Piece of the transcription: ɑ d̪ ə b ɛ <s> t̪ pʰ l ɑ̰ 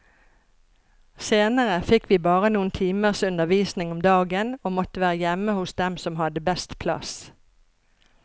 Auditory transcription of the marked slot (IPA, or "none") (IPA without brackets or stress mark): s